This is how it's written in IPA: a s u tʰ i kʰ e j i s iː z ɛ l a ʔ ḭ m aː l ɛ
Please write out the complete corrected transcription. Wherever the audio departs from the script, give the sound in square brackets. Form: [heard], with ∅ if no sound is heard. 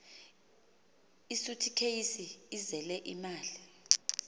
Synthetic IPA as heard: [i] s u tʰ i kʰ e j i s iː z ɛ l [ɛ] ʔ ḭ m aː l [i]

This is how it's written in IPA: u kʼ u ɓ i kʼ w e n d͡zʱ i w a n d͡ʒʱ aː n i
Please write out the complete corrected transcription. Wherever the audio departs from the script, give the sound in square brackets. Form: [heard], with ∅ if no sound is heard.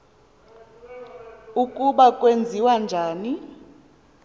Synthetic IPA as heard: u kʼ u ɓ [a] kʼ w e n d͡zʱ i w a n d͡ʒʱ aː n i

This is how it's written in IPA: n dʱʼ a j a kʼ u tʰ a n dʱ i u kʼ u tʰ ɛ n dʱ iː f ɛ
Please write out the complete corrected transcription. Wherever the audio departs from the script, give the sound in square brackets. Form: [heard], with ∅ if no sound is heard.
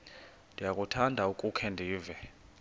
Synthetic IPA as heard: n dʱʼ [i] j a kʼ u tʰ a n dʱ [a] u kʼ u [kʰ] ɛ n dʱ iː [v] ɛ

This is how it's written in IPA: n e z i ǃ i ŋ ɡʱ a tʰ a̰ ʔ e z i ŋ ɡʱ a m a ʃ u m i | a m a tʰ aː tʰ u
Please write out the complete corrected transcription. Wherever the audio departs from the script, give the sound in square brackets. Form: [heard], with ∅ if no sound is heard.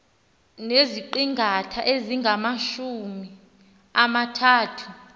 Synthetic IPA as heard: n e z i ǃ i ŋ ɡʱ a tʰ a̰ ʔ e z i ŋ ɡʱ a m a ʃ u m i | a m a tʰ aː tʰ u

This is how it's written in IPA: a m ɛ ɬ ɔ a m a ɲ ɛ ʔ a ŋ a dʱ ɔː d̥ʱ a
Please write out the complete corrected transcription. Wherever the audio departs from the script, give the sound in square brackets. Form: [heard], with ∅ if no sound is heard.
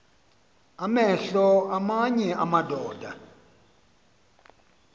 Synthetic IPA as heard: a m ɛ ɬ ɔ a m a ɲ ɛ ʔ a [m] a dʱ ɔː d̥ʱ a

